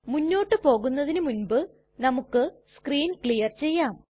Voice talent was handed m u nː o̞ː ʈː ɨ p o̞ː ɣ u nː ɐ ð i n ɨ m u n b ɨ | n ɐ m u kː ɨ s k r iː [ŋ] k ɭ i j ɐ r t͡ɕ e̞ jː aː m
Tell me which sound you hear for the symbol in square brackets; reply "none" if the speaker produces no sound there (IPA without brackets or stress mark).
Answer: n